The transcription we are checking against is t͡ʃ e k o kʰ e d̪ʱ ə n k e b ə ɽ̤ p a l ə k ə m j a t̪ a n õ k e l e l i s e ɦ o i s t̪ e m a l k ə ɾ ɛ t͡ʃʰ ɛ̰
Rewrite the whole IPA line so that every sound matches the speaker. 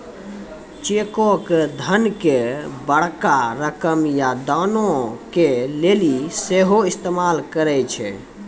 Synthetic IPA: t͡ʃ e k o k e d̪ʱ ə n k e b ə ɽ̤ k a ɾ ə k ə m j a d̪ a n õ k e l e l i s e ɦ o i s t̪ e m a l k ə ɾ ɛ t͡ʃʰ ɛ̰